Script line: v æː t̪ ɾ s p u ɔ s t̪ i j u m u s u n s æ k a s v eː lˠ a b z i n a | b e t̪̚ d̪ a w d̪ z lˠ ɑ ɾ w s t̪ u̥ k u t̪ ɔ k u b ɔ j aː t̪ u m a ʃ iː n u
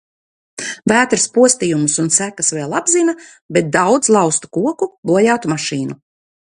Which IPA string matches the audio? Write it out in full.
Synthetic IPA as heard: v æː t̪ ɾ s p u ɔ s t̪ i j u m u s u n s æ k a s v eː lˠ a b z i n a | b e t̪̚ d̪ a w d̪ z lˠ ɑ w s t̪ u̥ k u ɔ k u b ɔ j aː t̪ u m a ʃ iː n u